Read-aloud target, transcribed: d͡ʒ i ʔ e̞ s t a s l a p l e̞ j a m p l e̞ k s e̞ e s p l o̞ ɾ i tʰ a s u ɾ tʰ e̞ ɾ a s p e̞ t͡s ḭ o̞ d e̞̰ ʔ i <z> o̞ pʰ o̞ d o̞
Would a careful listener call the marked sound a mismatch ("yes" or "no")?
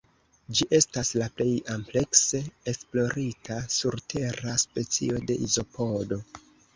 no